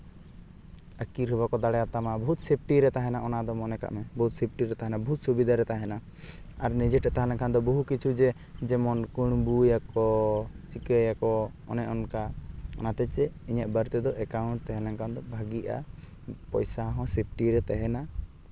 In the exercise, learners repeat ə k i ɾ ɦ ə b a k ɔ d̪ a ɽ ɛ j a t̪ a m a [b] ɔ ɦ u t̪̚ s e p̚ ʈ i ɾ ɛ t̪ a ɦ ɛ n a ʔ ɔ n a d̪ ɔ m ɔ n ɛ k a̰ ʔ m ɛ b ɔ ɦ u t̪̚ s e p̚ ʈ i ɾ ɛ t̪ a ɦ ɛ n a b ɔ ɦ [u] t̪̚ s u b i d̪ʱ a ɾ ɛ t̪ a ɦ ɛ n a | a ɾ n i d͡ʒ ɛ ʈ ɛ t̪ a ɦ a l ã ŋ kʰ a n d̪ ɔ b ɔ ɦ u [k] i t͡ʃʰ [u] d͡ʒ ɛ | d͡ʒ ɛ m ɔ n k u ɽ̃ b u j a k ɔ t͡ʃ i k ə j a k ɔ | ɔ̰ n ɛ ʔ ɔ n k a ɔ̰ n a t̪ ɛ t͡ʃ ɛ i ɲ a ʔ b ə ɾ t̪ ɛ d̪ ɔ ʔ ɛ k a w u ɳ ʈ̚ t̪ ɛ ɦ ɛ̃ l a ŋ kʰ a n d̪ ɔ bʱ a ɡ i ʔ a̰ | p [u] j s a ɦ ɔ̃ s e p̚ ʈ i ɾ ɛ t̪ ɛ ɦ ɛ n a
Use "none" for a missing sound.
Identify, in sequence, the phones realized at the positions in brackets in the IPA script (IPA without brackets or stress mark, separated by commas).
b, u, k, u, ɔ